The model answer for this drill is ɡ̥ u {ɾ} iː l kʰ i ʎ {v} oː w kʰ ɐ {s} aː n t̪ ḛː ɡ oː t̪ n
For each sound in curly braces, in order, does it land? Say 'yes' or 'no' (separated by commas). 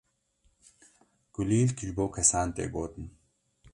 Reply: no, no, yes